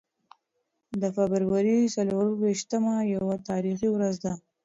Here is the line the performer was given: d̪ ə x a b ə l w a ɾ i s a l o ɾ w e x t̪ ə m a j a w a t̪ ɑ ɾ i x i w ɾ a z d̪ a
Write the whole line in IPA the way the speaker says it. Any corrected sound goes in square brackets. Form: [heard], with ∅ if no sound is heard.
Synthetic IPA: d̪ ə [f] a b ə [ɾ] w a ɾ i s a l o ɾ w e [ʃ] t̪ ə m a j a w a t̪ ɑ ɾ i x i w ɾ a z d̪ a